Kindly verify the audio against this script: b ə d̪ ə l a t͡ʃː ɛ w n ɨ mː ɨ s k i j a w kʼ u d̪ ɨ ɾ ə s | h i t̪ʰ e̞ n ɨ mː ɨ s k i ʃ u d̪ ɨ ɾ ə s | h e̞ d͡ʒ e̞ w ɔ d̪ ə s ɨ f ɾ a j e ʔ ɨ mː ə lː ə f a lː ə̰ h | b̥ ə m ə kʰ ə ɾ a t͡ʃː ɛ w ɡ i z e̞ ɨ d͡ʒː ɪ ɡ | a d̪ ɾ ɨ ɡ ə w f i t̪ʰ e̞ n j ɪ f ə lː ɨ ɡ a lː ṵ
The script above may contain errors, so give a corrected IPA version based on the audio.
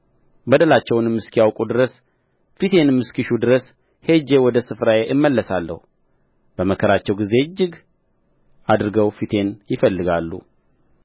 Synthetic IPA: b ə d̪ ə l a t͡ʃː ɛ w n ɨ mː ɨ s k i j a w kʼ u d̪ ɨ ɾ ə s | f i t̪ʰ e̞ n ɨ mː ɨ s k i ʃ u d̪ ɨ ɾ ə s | h e̞ d͡ʒ e̞ w ɔ d̪ ə s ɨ f ɾ a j e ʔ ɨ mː ə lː ə s a lː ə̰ h | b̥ ə m ə kʰ ə ɾ a t͡ʃː ɛ w ɡ i z e̞ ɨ d͡ʒː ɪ ɡ | a d̪ ɾ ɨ ɡ ə w f i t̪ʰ e̞ n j ɪ f ə lː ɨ ɡ a lː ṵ

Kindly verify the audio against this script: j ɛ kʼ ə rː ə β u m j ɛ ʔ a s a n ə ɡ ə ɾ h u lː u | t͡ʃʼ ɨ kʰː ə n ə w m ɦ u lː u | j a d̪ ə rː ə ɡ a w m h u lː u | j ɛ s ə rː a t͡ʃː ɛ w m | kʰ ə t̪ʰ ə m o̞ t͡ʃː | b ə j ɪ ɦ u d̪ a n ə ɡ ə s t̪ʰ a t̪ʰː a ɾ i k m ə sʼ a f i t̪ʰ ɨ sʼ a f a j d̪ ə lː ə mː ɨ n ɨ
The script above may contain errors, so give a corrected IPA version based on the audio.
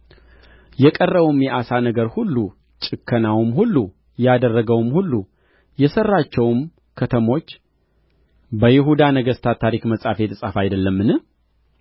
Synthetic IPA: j ɛ kʼ ə rː ə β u m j ɛ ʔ a s a n ə ɡ ə ɾ h u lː u | t͡ʃʼ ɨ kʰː ə n a w m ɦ u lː u | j a d̪ ə rː ə ɡ ə w m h u lː u | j ɛ s ə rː a t͡ʃː ɛ w m | kʰ ə t̪ʰ ə m o̞ t͡ʃː | b ə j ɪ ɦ u d̪ a n ə ɡ ə s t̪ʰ a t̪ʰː a ɾ i k m ə sʼ a f e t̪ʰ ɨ sʼ a f a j d̪ ə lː ə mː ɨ n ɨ

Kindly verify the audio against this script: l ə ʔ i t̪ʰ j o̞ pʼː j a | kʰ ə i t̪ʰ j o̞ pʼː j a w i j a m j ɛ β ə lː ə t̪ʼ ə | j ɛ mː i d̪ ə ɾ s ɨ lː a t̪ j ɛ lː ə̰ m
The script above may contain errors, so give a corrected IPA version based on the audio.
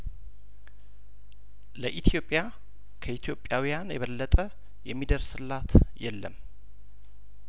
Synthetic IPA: l ə ʔ i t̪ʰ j o̞ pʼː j a | kʰ ə i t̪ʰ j o̞ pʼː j a w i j a n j ɛ β ə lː ə t̪ʼ ə | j ɛ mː i d̪ ə ɾ s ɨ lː a t̪ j ɛ lː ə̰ m

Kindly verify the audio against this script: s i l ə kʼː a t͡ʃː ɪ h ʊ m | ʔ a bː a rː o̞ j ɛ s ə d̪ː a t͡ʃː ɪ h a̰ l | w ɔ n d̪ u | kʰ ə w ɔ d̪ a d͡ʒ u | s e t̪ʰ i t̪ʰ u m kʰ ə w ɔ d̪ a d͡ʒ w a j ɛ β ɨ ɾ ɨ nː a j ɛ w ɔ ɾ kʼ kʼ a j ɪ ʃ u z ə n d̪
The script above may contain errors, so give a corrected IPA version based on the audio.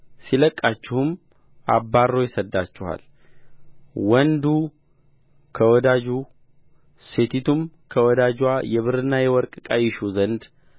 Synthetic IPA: s i l ə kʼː a t͡ʃː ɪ h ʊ m | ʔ a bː a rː o̞ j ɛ s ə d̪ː a t͡ʃː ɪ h a̰ l | w ɔ n d̪ u | kʰ ə w ɔ d̪ a d͡ʒ u | s e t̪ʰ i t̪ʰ u m kʰ ə w ɔ d̪ a d͡ʒ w a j ɛ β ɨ ɾ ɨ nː a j ɛ w ɔ ɾ kʼ kʼ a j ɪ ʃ u z ə n d̪

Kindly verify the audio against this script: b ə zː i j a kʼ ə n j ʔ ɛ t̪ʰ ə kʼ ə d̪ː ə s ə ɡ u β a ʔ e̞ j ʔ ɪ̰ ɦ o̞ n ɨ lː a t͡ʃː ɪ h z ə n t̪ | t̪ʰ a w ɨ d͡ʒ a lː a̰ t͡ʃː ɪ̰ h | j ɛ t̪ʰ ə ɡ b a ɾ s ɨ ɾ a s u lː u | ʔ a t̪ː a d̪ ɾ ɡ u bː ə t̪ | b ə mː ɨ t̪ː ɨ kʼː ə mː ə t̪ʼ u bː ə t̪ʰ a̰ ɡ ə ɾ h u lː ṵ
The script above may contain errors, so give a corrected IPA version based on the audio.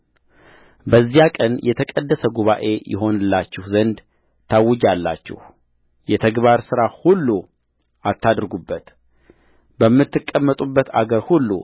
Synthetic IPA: b ə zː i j a kʼ ə n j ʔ ɛ t̪ʰ ə kʼ ə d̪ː ə s ə ɡ u β a ʔ e̞ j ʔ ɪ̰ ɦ o̞ n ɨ lː a t͡ʃː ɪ h z ə n d̪ | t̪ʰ a w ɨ d͡ʒ a lː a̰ t͡ʃː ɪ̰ h | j ɛ t̪ʰ ə ɡ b a ɾ s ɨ ɾ a h u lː u | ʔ a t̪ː a d̪ ɾ ɡ u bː ə t̪ | b ə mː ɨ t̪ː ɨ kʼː ə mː ə t̪ʼ u bː ə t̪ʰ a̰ ɡ ə ɾ h u lː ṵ

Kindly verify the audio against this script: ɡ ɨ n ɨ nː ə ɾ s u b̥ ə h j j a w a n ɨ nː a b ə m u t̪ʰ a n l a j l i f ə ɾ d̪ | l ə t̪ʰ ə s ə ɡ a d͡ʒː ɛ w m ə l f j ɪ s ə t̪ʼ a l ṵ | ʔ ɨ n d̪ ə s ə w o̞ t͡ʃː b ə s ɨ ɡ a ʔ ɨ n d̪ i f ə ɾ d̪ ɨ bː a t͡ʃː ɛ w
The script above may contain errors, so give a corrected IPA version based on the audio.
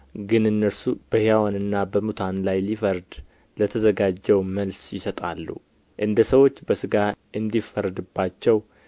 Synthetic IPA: ɡ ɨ n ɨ nː ə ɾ s u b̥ ə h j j a w a n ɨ nː a b ə m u t̪ʰ a n l a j l i f ə ɾ d̪ | l ə t̪ʰ ə z ə ɡ a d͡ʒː ɛ w m ə l s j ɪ s ə t̪ʼ a lː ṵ | ʔ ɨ n d̪ ə s ə w o̞ t͡ʃː b ə s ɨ ɡ a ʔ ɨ n d̪ i f ə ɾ d̪ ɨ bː a t͡ʃː ɛ w

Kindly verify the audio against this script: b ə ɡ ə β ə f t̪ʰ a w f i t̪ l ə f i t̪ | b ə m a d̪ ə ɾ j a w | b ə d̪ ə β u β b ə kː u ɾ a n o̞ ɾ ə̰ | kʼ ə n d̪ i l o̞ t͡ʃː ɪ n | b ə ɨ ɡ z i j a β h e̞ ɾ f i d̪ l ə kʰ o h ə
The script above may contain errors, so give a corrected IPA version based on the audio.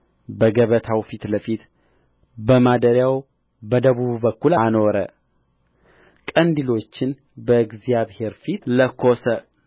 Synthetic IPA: b ə ɡ ə β ə t̪ʰ a w f i t̪ l ə f i t̪ | b ə m a d̪ ə ɾ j a w | b ə d̪ ə β u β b ə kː u l a n o̞ ɾ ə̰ | kʼ ə n d̪ i l o̞ t͡ʃː ɪ n | b ə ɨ ɡ z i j a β h e̞ ɾ f i t̪ l ə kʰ o s ə

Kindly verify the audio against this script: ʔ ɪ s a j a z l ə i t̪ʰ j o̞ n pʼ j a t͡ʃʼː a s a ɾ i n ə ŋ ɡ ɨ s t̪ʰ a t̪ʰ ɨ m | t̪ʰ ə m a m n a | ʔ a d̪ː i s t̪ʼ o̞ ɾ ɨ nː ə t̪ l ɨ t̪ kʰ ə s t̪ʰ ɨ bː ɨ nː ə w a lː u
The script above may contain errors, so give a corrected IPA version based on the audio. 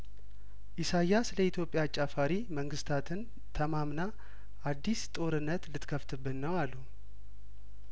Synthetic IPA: ʔ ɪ s a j a s l ə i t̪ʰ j o̞ pʼ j a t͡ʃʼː a f a ɾ i m ə ŋ ɡ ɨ s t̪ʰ a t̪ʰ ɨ n | t̪ʰ ə m a m n a | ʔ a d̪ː i s t̪ʼ o̞ ɾ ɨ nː ə t̪ l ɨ t̪ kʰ ə f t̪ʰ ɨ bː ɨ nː ə w a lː u

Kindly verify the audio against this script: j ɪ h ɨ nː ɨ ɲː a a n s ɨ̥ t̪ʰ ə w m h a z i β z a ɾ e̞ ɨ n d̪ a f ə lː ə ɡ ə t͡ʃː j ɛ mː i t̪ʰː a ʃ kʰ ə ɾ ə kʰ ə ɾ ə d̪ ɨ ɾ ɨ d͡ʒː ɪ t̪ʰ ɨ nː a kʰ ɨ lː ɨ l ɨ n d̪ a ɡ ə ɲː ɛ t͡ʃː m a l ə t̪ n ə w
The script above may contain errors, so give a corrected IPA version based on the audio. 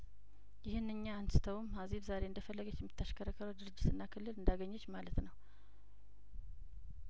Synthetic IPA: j ɪ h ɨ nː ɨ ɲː a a n s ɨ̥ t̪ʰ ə w m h a z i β z a ɾ e̞ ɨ n d̪ ə f ə lː ə ɡ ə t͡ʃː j ɛ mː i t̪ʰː a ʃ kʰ ə ɾ ə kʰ ə ɾ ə d̪ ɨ ɾ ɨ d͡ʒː ɪ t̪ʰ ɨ nː a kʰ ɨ lː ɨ l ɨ n d̪ a ɡ ə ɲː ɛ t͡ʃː m a l ə t̪ n ə w

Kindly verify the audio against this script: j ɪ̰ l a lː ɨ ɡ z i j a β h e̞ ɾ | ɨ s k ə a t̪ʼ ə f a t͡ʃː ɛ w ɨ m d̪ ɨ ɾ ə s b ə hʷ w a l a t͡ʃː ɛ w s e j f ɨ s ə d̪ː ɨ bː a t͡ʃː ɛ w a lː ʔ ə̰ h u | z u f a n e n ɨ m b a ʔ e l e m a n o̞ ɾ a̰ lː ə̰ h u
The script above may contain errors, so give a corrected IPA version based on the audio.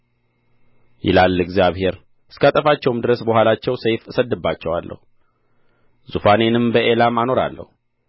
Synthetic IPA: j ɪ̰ l a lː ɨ ɡ z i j a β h e̞ ɾ | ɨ s k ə a t̪ʼ ə f a t͡ʃː ɛ w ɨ m d̪ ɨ ɾ ə s b ə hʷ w a l a t͡ʃː ɛ w s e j f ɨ s ə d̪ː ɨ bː a t͡ʃː ɛ w a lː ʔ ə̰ h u | z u f a n e n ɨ m b ə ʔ e l a m a n o̞ ɾ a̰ lː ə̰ h u

